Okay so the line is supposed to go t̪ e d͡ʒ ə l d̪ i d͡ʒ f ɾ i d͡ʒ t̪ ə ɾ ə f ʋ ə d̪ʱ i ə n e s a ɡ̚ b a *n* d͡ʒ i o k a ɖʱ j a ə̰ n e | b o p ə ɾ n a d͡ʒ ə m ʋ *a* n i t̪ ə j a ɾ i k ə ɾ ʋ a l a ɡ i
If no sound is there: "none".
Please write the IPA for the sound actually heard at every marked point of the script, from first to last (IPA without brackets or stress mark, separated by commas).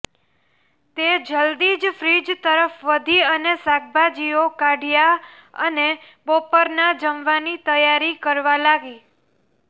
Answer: none, a